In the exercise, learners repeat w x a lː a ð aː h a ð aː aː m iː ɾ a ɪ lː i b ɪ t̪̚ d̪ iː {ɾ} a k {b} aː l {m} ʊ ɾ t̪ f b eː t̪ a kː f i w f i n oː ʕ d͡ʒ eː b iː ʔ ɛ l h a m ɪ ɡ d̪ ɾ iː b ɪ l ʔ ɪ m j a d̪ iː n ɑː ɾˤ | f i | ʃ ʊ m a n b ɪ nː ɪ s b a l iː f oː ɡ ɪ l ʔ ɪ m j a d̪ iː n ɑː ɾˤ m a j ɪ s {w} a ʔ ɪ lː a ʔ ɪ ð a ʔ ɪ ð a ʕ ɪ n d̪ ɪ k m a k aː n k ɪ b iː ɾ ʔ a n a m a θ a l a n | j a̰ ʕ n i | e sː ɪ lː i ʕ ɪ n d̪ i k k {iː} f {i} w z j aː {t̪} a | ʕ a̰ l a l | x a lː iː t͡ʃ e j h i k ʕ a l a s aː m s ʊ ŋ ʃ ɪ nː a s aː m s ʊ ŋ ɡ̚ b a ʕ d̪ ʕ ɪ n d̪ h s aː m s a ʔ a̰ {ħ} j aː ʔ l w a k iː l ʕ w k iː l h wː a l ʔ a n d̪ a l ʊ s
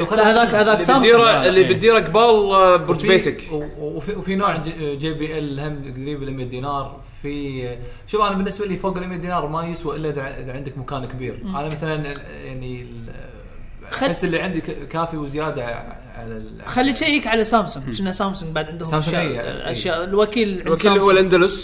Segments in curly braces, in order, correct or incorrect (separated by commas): correct, correct, incorrect, correct, incorrect, correct, incorrect, incorrect